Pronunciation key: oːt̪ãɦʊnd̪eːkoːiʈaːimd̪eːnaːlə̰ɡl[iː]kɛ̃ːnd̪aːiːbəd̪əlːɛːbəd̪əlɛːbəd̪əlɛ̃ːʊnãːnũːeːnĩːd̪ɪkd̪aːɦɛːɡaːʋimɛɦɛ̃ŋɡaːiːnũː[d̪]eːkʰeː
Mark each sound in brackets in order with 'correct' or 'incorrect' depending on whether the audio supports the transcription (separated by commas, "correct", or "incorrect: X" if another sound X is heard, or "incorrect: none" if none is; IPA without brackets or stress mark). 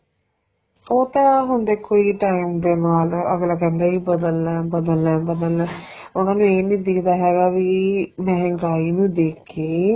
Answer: incorrect: aː, correct